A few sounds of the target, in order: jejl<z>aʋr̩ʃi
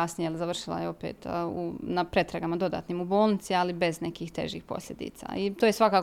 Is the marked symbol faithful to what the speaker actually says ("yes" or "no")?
yes